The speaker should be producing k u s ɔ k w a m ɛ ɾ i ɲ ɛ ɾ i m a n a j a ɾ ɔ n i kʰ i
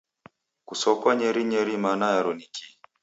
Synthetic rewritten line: k u s ɔ k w a ɲ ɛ ɾ i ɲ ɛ ɾ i m a n a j a ɾ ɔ n i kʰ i